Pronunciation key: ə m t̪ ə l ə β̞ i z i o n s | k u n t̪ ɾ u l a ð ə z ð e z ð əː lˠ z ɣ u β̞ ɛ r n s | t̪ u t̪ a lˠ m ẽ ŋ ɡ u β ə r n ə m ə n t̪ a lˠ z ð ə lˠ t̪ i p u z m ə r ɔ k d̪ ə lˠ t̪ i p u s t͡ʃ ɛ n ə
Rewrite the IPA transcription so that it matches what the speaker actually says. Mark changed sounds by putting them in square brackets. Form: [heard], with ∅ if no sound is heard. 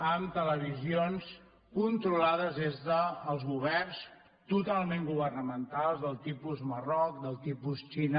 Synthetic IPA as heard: ə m t̪ ə l ə β̞ i z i o n s | k u n t̪ ɾ u l a ð ə z ð e z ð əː lˠ z ɣ u β̞ ɛ r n s | t̪ u t̪ a lˠ m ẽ ŋ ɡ u β ə r n ə m ə n t̪ a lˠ z ð ə lˠ t̪ i p u z m ə r ɔ k d̪ ə lˠ t̪ i p u s t͡ʃ [i] n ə